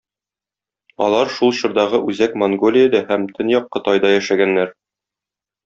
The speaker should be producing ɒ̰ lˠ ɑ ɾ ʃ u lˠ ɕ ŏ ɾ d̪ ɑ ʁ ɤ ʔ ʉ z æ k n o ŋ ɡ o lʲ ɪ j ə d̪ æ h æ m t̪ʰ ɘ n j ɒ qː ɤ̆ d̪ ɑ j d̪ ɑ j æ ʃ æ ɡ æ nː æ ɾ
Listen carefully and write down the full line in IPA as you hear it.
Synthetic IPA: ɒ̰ lˠ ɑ ɾ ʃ u lˠ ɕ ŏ ɾ d̪ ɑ ʁ ɤ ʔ ʉ z æ k m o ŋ ɡ o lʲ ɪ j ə d̪ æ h æ m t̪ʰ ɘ n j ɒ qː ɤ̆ t̪ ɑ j d̪ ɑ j æ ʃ æ ɡ æ nː æ ɾ